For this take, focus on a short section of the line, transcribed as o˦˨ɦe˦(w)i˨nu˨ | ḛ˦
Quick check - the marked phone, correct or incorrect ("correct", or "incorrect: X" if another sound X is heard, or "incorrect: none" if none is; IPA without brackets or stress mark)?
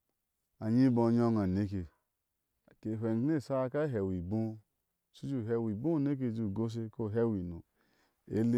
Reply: correct